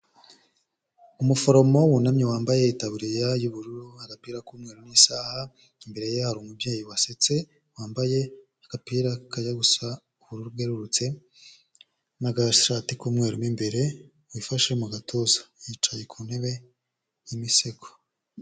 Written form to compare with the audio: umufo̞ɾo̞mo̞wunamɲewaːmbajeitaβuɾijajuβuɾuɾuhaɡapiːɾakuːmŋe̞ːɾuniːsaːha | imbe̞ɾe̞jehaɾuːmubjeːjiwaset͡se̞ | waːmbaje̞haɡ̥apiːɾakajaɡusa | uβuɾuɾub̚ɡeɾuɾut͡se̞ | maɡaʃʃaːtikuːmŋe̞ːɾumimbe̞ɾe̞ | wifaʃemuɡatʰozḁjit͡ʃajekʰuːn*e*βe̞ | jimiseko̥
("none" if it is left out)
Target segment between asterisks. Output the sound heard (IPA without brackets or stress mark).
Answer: e